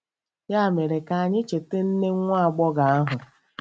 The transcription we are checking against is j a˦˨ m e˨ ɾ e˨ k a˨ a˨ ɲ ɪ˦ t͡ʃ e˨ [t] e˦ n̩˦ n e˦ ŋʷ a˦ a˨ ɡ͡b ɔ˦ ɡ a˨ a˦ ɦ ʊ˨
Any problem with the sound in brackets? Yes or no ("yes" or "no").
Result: no